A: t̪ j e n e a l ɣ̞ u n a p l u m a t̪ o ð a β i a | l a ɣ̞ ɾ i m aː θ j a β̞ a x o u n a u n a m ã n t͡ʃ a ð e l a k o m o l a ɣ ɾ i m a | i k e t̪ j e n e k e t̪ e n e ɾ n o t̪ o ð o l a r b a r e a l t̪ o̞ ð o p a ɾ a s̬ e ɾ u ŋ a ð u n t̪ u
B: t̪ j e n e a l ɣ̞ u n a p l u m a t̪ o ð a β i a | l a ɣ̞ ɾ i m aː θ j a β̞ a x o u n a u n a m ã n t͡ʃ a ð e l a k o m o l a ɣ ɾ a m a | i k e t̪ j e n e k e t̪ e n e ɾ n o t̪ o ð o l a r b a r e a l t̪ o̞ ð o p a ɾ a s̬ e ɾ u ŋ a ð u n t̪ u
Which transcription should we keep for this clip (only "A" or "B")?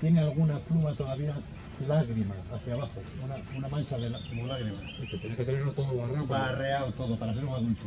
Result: A